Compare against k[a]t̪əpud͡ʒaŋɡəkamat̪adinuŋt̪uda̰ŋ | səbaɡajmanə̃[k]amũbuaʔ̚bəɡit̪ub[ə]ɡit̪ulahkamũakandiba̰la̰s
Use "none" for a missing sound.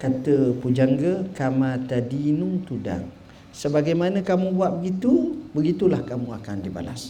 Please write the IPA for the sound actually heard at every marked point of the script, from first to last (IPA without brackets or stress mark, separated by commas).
a, k, ə